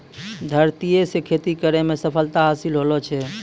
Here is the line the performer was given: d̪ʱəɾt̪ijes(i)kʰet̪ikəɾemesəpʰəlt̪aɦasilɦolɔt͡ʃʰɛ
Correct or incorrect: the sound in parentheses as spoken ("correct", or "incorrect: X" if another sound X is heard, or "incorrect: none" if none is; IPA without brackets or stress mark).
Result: incorrect: e